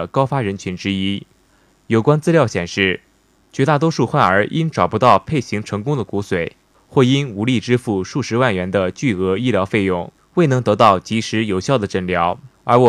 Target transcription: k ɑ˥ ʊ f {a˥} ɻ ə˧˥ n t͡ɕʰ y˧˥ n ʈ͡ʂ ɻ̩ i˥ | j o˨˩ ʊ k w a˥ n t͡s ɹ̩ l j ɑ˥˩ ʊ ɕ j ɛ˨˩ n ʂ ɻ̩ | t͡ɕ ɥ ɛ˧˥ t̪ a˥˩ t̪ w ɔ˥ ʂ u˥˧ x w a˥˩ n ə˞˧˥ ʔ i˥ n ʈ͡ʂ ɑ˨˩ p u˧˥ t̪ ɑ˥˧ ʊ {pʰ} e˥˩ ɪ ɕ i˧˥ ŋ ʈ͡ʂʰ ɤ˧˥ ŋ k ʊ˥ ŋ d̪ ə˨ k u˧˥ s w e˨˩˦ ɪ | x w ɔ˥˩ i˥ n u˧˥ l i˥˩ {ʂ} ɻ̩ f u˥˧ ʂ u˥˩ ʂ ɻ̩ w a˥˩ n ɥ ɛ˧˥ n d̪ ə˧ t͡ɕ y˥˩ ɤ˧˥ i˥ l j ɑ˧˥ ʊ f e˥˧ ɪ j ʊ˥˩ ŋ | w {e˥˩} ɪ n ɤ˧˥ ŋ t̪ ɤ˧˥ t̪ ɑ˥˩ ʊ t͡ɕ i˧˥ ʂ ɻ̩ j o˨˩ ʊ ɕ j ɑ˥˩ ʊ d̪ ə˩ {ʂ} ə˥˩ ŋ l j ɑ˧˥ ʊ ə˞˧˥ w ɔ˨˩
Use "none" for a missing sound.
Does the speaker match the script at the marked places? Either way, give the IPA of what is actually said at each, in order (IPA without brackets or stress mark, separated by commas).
a˥, pʰ, ʈ͡ʂ, e˥˩, ʈ͡ʂ